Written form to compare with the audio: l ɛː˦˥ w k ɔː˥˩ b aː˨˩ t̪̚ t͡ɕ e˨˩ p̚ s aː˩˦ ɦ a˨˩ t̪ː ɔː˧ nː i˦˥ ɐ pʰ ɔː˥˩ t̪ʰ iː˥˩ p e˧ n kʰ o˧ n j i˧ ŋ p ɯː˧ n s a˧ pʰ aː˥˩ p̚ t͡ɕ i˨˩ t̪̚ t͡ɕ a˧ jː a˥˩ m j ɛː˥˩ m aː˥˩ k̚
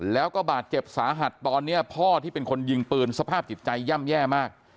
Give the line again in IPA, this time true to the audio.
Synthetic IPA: l ɛː˦˥ w k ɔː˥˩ b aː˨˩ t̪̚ t͡ɕ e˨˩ p̚ s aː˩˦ ɦ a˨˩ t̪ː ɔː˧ nː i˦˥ ɐ pʰ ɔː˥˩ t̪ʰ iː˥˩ p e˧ n kʰ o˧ n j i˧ ŋ p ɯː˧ n s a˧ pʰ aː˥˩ p̚ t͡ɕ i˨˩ t̪̚ t͡ɕ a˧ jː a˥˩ m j ɛː˥˩ m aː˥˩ k̚